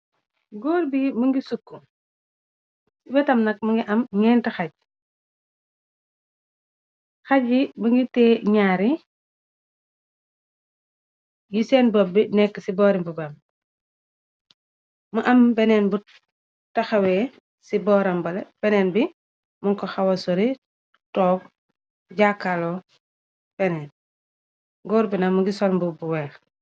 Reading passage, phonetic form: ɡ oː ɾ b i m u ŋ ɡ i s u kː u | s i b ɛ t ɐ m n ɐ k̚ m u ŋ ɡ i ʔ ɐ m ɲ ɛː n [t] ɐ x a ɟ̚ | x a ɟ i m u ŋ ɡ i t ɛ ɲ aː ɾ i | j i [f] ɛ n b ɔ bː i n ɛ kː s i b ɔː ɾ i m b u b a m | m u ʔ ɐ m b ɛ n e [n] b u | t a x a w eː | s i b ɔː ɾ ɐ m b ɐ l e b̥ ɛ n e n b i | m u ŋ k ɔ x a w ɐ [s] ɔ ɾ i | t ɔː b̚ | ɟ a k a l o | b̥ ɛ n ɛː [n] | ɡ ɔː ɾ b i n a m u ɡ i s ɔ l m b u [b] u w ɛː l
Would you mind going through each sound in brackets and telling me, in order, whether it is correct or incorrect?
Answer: correct, incorrect: s, correct, correct, correct, correct

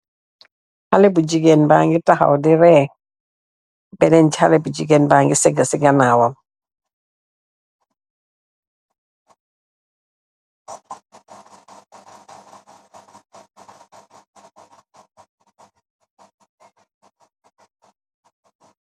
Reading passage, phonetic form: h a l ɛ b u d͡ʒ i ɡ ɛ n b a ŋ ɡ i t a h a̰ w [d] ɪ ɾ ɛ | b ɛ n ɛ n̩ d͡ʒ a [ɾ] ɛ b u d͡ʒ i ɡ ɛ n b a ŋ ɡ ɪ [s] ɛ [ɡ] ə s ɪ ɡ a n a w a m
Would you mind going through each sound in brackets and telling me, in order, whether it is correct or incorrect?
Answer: correct, incorrect: l, correct, correct

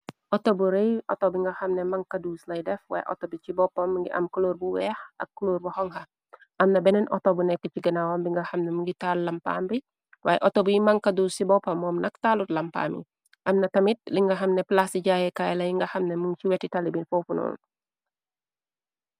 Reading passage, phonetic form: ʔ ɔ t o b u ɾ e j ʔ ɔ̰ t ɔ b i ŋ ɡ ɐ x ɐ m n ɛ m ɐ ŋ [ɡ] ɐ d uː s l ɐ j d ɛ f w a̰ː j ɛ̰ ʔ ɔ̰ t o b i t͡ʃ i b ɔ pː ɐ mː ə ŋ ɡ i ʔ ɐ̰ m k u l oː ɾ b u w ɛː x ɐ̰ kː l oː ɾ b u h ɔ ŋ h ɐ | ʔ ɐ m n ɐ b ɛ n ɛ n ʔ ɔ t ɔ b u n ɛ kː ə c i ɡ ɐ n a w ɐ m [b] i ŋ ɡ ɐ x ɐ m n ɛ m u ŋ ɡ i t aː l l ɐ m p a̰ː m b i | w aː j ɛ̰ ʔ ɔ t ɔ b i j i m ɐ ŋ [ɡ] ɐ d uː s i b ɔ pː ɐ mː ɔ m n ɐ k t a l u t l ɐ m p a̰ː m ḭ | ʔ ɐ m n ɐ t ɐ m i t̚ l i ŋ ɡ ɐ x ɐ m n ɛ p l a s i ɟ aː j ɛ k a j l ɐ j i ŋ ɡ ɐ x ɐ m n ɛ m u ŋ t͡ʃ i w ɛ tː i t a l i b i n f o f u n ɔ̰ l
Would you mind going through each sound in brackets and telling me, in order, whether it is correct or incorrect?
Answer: incorrect: k, correct, incorrect: k

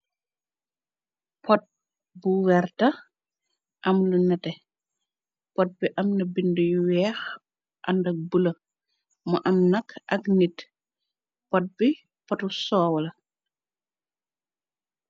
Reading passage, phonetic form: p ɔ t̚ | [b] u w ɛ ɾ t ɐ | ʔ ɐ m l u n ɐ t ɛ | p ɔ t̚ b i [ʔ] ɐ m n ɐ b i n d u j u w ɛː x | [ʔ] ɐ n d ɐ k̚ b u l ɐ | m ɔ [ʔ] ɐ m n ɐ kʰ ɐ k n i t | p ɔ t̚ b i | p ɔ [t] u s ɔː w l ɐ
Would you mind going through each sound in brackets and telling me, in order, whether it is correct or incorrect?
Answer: correct, correct, correct, correct, correct

